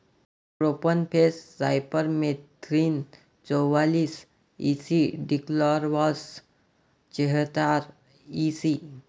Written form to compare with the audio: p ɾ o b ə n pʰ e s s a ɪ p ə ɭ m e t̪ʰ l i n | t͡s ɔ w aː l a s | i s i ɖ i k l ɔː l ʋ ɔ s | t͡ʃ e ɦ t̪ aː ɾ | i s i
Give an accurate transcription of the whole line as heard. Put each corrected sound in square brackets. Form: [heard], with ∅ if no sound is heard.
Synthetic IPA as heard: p ɾ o [p] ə n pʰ e s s a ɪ p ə [ɾ] m e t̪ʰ [ɾ] i n | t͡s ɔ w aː l [i] s | i s i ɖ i k l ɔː [ɾ] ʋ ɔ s | t͡ʃ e ɦ t̪ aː ɾ | i s i